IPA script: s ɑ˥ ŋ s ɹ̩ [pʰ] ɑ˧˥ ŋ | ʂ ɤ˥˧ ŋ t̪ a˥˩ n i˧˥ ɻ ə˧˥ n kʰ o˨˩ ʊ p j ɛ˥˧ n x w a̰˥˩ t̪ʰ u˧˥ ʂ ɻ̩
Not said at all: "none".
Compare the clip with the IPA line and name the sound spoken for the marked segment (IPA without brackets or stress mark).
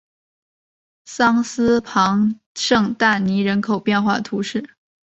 pʰ